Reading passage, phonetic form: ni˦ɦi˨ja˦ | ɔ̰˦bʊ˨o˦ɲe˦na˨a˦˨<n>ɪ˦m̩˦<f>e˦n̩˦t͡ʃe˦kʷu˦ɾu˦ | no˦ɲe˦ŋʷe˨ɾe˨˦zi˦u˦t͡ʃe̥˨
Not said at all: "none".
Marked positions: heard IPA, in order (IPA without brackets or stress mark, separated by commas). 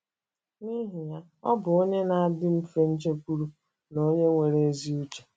d, f